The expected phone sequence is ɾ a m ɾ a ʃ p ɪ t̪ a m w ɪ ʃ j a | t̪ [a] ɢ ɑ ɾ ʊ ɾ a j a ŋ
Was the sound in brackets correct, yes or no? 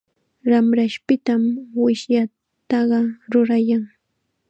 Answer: no